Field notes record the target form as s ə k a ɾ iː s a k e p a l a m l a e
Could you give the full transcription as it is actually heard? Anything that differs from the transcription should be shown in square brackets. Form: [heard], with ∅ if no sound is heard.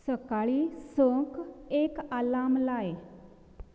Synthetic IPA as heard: s ə k a [ɭ] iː s [ə] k e [k] a l a m l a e